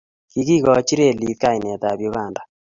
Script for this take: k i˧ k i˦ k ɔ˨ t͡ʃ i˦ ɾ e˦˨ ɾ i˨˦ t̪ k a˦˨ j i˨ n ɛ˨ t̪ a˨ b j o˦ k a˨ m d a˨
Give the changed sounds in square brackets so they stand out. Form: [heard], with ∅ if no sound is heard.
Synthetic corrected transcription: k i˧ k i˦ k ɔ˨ t͡ʃ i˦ ɾ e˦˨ [l] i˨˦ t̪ k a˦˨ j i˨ n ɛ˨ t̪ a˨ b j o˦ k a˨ [n] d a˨